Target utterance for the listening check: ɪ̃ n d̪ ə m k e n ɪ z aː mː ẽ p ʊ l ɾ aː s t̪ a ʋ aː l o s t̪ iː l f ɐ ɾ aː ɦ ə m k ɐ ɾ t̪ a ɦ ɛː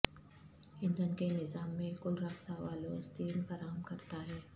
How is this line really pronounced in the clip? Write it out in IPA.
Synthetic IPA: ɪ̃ n d̪ ə n k e n ɪ z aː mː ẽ k ʊ l ɾ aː s t̪ a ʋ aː l o s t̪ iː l f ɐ ɾ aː ɦ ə m k ɐ ɾ t̪ a ɦ ɛː